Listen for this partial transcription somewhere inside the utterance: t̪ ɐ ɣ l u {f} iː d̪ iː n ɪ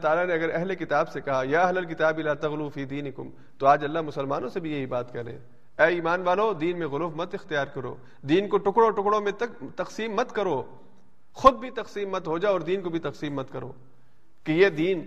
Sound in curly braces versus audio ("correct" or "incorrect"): correct